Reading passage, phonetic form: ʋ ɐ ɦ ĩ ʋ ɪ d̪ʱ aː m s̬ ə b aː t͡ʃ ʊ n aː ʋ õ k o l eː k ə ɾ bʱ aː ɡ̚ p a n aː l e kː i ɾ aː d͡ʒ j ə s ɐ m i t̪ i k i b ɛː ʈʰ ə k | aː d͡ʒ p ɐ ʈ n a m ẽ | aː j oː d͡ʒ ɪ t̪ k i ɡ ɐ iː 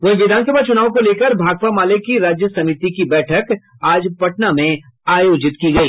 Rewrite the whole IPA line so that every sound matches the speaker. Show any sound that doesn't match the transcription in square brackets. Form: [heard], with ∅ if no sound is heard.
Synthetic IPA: ʋ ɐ ɦ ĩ ʋ ɪ d̪ʱ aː [n] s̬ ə b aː t͡ʃ ʊ n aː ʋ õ k o l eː k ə ɾ bʱ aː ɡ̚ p a [m] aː l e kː i ɾ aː d͡ʒ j ə s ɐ m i t̪ i k i b ɛː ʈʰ ə k | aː d͡ʒ p ɐ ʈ n a m ẽ | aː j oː d͡ʒ ɪ t̪ k i ɡ ɐ iː